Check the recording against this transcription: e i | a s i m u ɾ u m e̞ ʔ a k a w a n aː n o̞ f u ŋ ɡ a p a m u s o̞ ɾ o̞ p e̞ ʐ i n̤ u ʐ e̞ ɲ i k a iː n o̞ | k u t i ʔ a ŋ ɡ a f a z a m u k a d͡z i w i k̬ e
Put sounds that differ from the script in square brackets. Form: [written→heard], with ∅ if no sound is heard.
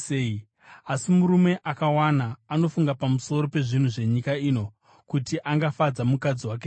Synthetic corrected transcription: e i | a s i m u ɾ u m e̞ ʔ a k a w a n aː n o̞ f u ŋ ɡ a p a m u s o̞ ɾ o̞ p e̞ ʐ i n̤ u ʐ e̞ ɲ i k a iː n o̞ | k u t i ʔ a ŋ ɡ a f a [z→d͡z] a m u k a d͡z i w [i→a] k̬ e